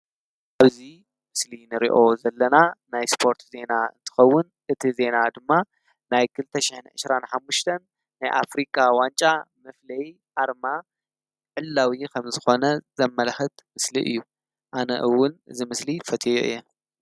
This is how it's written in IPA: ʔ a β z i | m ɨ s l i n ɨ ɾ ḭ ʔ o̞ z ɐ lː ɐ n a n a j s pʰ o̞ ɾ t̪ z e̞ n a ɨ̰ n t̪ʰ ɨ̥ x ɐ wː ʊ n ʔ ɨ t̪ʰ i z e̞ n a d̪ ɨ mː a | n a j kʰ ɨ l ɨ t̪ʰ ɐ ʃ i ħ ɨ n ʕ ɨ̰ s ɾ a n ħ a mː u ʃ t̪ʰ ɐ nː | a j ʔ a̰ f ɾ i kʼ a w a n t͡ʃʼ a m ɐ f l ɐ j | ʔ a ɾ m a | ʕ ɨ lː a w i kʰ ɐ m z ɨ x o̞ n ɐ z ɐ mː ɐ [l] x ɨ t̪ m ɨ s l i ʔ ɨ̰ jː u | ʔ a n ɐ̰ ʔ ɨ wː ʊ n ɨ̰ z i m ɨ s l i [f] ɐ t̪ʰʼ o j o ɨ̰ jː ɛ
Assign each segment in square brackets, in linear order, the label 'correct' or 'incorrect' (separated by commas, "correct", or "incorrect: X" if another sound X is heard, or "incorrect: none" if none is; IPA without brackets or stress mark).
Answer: correct, correct